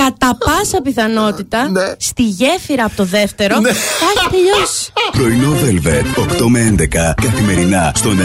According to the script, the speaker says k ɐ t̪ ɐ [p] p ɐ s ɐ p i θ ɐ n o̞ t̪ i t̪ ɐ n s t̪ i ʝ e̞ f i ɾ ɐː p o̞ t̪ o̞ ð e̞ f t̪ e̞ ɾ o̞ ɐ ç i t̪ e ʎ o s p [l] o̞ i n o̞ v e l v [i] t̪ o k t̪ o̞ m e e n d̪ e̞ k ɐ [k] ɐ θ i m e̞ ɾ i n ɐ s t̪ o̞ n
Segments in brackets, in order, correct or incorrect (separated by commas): correct, incorrect, incorrect, correct